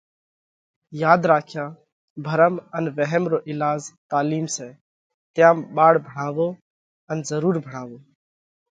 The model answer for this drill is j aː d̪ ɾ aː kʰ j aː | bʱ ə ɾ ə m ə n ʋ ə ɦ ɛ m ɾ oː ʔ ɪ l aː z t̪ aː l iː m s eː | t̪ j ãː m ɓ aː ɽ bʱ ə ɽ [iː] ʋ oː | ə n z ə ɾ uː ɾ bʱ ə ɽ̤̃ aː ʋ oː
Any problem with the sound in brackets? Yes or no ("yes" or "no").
yes